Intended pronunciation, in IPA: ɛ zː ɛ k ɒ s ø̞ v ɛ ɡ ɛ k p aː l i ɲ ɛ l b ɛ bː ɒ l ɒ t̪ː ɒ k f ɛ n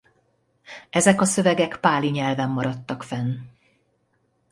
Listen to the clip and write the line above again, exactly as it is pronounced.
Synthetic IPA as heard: ɛ z ɛ k ɒ s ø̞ v ɛ ɡ ɛ k p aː l i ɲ ɛ l v ɛ mː ɒ ɾ ɒ t̪ː ɒ k f ɛ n